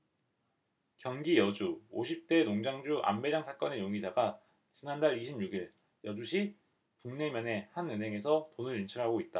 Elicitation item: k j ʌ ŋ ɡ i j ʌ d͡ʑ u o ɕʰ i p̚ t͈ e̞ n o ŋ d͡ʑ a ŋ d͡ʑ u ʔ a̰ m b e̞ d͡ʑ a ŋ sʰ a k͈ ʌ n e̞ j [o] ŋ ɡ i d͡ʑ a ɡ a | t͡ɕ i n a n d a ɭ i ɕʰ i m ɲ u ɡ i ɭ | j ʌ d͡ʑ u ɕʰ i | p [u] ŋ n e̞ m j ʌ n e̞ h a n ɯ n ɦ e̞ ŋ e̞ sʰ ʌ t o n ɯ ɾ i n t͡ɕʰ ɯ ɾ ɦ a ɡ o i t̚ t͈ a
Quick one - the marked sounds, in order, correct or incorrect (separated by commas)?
correct, correct